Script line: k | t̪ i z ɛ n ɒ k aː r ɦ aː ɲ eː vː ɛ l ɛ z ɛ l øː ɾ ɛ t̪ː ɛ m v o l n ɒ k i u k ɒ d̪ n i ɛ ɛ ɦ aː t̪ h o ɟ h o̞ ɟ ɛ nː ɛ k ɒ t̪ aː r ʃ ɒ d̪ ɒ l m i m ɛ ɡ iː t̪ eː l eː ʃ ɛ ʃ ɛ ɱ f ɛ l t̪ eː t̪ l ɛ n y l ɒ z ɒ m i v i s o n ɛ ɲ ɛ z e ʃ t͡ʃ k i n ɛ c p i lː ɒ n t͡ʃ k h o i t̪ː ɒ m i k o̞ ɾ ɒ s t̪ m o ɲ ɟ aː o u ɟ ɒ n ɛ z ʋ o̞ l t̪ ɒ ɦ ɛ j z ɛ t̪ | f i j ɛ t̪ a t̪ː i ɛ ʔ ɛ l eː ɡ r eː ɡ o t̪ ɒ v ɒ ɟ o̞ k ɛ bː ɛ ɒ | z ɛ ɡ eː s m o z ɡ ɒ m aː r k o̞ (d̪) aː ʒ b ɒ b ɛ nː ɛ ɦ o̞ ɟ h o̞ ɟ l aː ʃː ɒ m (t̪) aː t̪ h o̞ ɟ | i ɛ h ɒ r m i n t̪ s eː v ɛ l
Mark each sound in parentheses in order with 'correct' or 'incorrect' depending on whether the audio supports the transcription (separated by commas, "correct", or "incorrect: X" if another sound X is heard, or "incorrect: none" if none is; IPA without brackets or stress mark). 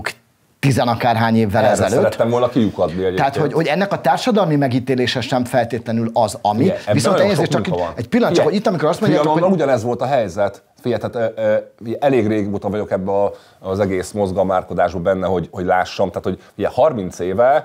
correct, correct